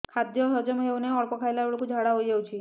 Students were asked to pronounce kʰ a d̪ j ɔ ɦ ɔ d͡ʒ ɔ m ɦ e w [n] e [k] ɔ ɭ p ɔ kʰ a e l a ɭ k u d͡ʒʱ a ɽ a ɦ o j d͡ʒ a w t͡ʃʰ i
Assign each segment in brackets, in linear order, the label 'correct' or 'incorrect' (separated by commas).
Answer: correct, incorrect